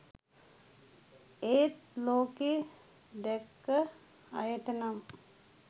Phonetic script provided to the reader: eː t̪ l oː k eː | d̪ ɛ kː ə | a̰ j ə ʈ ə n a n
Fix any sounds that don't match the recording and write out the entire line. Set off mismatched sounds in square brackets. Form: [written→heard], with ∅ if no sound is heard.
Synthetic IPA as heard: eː t̪ l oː k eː | d̪ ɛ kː ə | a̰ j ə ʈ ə n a [n→m]